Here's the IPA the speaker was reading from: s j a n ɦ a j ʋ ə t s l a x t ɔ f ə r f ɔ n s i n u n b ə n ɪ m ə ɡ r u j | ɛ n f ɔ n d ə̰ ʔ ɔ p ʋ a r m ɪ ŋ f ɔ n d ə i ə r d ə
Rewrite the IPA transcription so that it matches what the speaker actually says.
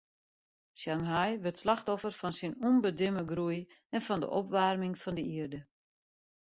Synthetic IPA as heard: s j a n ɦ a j ʋ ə t s l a x t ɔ f ə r f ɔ n s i n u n b ə d ɪ m ə ɡ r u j | ɛ n f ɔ n d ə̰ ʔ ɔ p ʋ a r m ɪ ŋ f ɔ n d ə i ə r d ə